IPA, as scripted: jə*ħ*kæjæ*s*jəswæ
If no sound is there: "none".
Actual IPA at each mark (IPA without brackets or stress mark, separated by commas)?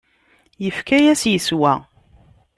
f, s